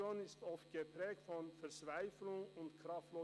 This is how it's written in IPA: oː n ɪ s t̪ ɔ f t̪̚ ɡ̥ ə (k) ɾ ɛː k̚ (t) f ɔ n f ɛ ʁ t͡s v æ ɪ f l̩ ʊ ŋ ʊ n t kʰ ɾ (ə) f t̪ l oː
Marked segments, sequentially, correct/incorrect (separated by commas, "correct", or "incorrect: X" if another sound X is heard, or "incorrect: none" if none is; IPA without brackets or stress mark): incorrect: p, correct, incorrect: ɑ